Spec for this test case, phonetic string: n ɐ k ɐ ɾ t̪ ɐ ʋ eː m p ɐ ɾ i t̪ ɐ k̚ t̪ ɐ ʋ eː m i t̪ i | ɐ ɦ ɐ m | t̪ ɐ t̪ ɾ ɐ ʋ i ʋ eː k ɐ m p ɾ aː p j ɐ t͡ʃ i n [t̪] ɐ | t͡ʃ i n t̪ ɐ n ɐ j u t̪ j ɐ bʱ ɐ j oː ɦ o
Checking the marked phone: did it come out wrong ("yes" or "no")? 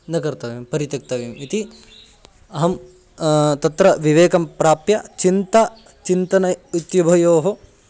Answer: no